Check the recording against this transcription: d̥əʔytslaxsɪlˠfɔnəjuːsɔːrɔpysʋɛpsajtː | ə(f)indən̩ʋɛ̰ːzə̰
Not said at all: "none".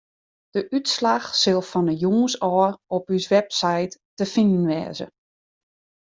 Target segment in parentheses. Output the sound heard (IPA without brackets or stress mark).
f